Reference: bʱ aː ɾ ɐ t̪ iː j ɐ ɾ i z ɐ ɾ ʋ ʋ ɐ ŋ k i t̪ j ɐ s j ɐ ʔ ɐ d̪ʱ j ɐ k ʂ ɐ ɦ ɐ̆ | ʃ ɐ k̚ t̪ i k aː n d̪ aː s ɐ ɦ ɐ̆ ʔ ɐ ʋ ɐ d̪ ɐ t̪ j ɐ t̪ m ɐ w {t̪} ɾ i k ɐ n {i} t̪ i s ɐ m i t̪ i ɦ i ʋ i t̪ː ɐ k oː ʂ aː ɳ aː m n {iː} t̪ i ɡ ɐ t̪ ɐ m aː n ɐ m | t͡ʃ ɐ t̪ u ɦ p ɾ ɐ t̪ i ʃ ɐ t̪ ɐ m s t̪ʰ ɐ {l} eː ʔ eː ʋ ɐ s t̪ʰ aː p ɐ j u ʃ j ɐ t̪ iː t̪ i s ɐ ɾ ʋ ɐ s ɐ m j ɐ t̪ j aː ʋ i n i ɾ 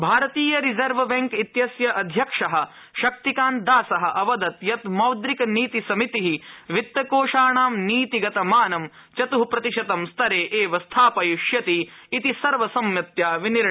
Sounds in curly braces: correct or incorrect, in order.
incorrect, incorrect, correct, incorrect

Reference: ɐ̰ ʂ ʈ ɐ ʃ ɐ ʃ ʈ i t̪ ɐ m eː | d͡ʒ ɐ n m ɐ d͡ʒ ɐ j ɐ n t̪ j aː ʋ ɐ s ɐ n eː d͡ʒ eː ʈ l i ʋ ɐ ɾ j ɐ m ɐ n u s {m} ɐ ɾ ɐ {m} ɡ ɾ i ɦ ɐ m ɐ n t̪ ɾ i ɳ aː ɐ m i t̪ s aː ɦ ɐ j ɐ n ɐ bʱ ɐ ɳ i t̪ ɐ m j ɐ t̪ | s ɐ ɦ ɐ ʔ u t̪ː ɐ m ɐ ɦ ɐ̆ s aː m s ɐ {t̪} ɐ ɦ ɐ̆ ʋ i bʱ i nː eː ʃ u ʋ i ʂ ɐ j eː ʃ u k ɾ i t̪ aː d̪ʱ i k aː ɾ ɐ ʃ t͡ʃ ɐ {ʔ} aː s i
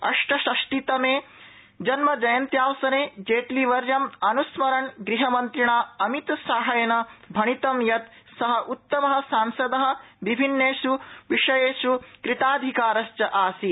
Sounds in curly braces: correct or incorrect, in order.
correct, incorrect, incorrect, correct

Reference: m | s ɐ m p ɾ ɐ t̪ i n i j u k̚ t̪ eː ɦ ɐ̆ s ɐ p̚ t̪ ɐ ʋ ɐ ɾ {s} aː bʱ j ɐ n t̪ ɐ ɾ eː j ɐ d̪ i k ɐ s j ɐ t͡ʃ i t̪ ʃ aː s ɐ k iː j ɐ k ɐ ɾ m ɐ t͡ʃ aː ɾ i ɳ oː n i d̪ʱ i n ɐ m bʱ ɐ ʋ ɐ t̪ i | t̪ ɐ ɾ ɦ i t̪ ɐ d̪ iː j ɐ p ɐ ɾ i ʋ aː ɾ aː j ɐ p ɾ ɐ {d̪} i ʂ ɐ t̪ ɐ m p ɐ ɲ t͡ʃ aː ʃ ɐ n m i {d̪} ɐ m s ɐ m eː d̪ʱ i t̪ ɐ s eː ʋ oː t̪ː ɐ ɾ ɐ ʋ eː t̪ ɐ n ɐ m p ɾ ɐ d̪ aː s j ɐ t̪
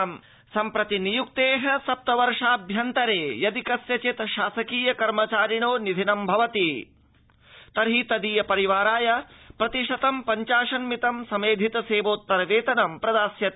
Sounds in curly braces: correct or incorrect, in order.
incorrect, incorrect, incorrect

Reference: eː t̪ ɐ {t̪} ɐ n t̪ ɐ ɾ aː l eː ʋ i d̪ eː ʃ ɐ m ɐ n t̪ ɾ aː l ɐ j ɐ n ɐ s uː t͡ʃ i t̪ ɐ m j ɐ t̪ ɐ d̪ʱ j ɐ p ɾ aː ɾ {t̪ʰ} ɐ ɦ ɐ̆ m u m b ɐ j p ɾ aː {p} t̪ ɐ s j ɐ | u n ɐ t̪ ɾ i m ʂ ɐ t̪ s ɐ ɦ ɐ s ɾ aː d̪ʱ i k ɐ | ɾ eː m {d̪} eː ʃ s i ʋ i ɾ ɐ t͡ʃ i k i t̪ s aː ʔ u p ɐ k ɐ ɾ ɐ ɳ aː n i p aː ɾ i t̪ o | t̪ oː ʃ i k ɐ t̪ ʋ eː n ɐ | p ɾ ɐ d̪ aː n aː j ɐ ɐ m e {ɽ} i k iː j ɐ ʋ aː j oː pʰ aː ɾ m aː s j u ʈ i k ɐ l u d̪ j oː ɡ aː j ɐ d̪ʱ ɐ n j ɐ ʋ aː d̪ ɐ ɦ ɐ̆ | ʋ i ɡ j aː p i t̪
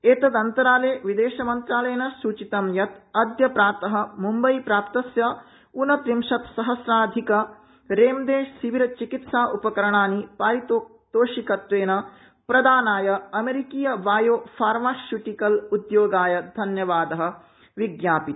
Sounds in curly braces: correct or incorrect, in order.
incorrect, incorrect, correct, correct, incorrect

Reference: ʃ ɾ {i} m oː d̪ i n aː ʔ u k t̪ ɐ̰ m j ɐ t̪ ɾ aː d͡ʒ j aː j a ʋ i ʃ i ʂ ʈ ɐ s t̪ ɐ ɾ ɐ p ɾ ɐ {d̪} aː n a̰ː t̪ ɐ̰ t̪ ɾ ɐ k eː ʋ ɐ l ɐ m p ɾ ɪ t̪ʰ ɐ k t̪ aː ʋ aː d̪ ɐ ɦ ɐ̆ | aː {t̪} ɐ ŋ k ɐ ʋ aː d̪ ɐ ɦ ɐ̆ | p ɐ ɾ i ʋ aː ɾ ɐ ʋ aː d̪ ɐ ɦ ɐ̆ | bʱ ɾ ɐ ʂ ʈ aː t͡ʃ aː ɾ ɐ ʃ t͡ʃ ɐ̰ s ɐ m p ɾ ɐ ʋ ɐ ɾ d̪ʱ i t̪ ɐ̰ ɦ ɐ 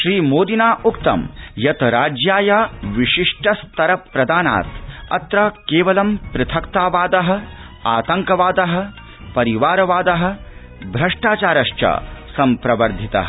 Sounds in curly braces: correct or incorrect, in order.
incorrect, correct, correct

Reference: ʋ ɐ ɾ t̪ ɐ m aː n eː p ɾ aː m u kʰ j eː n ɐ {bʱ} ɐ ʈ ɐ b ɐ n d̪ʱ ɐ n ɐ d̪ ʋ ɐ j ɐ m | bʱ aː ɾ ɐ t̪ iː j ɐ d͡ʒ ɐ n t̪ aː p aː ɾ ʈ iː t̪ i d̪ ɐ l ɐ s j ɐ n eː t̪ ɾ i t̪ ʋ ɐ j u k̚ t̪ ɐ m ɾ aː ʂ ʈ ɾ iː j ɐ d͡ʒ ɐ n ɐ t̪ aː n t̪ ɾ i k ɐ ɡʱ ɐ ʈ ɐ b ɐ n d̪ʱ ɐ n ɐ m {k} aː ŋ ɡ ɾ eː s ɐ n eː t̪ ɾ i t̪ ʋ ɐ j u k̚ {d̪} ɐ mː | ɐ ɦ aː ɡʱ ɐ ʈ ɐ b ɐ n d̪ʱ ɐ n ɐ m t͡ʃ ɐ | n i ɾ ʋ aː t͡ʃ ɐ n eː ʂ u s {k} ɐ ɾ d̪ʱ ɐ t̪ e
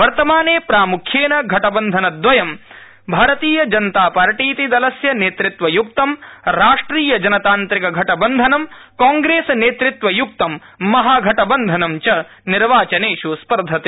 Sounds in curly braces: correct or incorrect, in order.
incorrect, correct, incorrect, incorrect

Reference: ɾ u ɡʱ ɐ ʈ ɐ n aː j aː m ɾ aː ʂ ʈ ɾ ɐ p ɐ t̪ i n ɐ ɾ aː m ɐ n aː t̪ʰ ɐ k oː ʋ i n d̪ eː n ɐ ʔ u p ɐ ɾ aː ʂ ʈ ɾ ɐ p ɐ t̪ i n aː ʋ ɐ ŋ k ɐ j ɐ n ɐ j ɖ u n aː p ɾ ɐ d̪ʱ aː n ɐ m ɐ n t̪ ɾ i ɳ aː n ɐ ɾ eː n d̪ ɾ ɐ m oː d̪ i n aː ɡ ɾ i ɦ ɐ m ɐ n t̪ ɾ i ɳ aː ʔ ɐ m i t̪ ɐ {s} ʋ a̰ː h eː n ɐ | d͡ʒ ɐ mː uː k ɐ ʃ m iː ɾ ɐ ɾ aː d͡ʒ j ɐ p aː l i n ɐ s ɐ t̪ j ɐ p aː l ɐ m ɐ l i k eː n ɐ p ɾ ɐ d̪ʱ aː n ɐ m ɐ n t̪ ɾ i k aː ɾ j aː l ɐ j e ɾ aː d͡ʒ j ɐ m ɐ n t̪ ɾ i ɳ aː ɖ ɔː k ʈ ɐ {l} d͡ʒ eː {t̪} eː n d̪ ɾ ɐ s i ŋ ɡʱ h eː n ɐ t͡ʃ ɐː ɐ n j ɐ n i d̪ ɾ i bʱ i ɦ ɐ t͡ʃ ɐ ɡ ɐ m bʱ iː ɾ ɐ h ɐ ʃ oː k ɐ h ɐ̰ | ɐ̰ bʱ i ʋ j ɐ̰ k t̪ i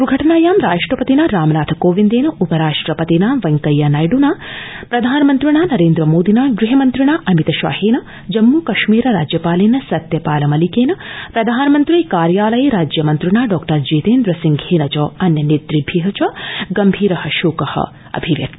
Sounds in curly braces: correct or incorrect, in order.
incorrect, incorrect, correct

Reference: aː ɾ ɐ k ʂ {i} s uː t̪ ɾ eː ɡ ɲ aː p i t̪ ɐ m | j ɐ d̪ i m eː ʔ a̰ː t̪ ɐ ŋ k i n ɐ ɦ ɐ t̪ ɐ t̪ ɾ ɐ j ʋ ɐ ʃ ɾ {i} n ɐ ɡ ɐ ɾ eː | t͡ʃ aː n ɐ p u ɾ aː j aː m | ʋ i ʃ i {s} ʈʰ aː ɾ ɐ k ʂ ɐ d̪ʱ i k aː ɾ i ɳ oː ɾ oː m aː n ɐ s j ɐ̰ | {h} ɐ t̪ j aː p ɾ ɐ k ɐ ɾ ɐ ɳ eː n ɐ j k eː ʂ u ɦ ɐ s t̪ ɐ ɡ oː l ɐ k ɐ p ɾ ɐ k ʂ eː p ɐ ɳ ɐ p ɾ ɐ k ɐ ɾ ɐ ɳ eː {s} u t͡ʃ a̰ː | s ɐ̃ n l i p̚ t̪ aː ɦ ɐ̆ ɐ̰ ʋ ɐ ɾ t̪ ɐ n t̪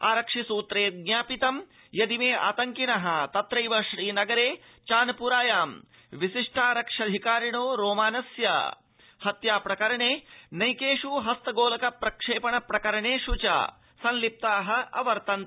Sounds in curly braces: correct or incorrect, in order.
correct, incorrect, incorrect, correct, incorrect

